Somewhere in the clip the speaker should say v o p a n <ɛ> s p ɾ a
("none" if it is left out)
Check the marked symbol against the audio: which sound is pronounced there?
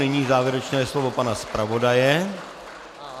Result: a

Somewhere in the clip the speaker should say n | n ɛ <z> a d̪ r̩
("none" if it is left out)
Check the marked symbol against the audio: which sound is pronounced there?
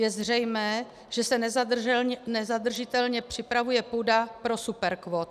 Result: z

